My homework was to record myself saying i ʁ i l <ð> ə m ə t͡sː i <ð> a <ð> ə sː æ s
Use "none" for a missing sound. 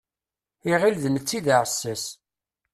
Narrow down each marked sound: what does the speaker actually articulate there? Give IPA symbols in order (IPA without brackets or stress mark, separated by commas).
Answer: ð, ð, ʕ